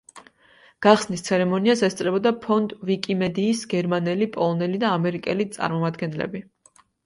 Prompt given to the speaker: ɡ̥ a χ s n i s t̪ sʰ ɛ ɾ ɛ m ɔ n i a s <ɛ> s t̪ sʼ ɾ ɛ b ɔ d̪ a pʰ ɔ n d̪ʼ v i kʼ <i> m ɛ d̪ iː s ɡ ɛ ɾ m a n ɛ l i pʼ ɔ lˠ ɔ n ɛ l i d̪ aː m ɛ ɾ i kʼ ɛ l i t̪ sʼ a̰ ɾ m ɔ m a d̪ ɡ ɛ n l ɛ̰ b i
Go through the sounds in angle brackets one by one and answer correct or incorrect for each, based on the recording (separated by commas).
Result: correct, correct